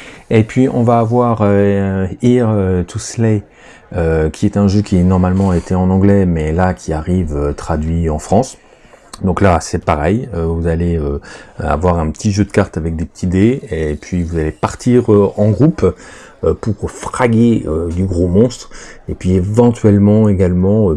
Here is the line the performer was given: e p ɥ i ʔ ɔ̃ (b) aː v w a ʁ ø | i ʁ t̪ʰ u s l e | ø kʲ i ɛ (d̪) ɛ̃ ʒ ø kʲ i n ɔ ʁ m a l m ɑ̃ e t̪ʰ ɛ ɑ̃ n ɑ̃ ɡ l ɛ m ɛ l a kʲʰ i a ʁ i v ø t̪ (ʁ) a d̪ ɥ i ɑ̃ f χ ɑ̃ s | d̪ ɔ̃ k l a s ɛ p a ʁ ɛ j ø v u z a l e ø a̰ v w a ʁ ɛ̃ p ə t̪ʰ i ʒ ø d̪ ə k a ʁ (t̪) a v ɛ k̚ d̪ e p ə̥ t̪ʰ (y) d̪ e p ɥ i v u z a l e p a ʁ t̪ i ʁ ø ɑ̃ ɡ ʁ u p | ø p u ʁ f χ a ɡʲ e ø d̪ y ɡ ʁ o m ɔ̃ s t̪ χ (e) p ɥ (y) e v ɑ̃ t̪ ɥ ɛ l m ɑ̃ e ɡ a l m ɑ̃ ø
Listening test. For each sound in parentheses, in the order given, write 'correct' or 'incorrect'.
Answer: incorrect: v, incorrect: t̪, incorrect: χ, correct, incorrect: i, correct, incorrect: i

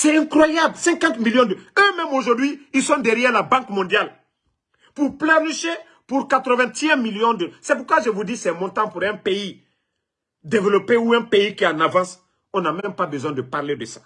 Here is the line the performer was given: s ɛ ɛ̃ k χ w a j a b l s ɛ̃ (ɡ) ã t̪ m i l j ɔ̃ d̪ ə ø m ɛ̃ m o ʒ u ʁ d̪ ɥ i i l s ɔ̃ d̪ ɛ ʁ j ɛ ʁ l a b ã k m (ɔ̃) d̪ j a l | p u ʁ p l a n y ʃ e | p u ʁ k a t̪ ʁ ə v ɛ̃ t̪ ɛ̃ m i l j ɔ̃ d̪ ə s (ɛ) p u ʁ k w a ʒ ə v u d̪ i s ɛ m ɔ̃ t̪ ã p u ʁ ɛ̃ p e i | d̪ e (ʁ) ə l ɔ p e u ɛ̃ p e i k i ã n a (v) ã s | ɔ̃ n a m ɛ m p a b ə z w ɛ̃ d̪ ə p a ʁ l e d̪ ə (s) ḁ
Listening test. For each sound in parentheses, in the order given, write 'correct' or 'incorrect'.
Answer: incorrect: k, correct, correct, incorrect: v, correct, correct

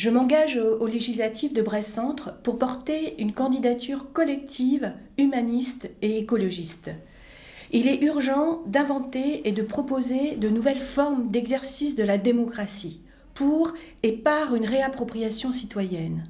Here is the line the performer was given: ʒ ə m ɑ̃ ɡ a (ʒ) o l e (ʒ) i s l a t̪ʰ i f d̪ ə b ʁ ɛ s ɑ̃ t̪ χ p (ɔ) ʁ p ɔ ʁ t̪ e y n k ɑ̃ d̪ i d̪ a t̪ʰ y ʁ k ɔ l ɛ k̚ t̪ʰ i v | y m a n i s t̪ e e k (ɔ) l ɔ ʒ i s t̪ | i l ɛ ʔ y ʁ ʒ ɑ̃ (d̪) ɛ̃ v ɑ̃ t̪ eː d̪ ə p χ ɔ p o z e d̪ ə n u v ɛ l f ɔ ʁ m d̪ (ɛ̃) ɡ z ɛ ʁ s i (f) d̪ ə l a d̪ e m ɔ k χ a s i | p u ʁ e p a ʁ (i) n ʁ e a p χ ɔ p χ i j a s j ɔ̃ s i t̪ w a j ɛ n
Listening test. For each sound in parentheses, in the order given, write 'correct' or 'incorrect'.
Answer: correct, correct, incorrect: u, correct, correct, incorrect: ɛ, incorrect: s, incorrect: y

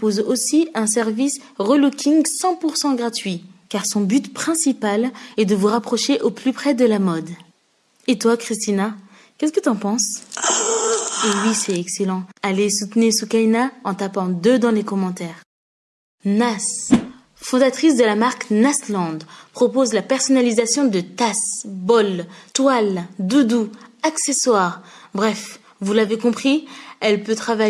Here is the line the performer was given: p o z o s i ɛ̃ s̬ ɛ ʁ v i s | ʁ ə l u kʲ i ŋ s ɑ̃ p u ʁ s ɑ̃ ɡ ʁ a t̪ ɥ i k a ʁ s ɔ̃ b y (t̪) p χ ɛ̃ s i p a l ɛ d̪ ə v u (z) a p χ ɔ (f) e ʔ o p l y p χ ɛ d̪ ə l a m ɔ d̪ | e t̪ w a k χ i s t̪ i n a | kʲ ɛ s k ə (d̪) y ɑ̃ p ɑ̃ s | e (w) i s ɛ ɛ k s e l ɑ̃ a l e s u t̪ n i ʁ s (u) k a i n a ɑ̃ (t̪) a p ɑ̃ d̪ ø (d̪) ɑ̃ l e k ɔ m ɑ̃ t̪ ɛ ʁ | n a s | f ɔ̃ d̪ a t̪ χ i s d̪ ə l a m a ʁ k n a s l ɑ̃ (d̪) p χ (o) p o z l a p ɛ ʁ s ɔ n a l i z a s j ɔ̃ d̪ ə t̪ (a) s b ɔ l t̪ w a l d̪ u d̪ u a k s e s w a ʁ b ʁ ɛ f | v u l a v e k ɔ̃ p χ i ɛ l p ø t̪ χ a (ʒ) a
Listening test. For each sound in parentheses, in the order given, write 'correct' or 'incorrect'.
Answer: correct, incorrect: ʁ, incorrect: ʃ, incorrect: t̪, correct, correct, correct, correct, correct, incorrect: ɔ, correct, incorrect: v

